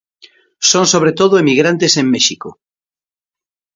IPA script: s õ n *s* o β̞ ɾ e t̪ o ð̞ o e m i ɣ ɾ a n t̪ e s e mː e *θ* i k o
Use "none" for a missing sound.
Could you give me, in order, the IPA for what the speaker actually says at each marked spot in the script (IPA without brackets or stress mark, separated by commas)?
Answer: s, ʃ